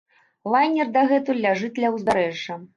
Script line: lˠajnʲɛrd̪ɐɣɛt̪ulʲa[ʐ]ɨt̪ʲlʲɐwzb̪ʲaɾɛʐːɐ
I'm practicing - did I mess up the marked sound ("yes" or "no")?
no